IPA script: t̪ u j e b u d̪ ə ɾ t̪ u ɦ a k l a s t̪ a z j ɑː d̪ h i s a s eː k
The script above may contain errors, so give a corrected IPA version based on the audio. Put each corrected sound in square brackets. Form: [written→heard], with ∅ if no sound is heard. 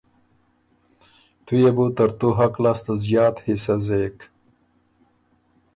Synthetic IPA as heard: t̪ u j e b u [d̪→t̪] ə ɾ t̪ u ɦ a k l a s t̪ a z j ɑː [d̪→t̪] h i s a [s→z] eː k